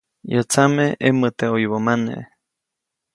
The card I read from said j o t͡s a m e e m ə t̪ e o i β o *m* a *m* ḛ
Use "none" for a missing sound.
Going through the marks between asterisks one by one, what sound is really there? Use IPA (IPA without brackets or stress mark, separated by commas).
m, n